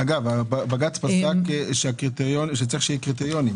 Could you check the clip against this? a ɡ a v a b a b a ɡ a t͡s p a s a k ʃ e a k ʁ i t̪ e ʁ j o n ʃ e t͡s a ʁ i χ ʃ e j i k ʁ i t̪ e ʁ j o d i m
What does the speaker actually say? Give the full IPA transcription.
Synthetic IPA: a ɡ a v a b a b a ɡ a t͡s p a s a k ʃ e a k ʁ i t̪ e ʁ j o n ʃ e t͡s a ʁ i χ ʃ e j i k ʁ i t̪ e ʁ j o n i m

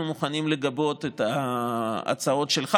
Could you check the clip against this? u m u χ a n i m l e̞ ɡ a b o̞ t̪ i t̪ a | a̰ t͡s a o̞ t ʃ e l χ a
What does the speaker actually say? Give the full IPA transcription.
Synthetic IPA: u m u χ a n i m l e̞ ɡ a b o̞ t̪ e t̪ a | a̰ t͡s a o̞ t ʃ e l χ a

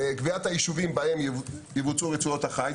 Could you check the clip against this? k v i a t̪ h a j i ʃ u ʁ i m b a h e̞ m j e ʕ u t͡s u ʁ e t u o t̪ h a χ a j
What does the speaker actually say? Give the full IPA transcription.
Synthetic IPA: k v i a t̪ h a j i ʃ u v i m b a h e̞ m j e v u t͡s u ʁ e t͡s u o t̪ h a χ a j

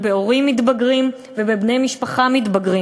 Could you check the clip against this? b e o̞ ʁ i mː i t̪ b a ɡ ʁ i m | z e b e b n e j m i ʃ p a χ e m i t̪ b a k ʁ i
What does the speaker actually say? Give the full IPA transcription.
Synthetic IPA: b e o̞ ʁ i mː i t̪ b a ɡ ʁ i m | v e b e b n e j m i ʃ p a χ a m i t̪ b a ɡ ʁ i

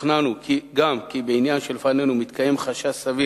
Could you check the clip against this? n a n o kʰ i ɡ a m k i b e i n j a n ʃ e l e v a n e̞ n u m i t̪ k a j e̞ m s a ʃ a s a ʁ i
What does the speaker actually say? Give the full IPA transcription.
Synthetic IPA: n a n u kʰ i ɡ a m k i b e i n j a n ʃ e l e f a n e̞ n u m i t̪ k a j e̞ m χ a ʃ a s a v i

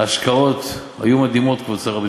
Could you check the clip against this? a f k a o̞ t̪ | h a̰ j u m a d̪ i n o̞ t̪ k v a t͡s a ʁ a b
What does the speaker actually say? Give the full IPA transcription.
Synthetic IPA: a ʃ k a o̞ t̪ | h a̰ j u m a d̪ i m o̞ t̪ k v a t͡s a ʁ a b

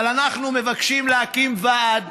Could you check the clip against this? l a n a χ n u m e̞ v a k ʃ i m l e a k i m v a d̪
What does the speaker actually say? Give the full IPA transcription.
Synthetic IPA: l a n a χ n u m e̞ v a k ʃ i m l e a k i m v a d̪

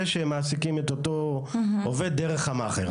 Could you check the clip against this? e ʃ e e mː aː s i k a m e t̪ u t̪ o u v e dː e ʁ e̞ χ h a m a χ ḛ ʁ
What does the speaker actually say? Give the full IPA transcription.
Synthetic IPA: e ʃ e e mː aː s i k i m e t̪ o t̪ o o v e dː e ʁ e̞ χ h a m a χ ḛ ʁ

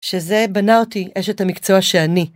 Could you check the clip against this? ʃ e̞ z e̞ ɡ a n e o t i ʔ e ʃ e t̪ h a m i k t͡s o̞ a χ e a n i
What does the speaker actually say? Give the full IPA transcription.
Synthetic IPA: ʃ e̞ z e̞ b a n a o t i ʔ e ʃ e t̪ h a m i k t͡s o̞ a ʃ e a n i

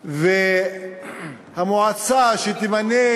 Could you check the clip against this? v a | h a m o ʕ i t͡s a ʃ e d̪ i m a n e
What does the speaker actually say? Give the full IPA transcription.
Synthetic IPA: v e | h a m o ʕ a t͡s a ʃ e t̪ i m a n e

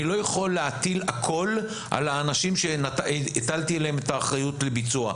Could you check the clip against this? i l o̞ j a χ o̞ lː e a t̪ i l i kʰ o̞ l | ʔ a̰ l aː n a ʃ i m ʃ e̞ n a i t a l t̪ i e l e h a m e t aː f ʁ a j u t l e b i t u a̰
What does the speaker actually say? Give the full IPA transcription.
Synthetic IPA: i l o̞ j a χ o̞ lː e a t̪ i l a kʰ o̞ l | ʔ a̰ l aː n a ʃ i m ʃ e̞ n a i t a l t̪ i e l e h e m e t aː χ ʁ a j u t l e b i t͡s u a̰

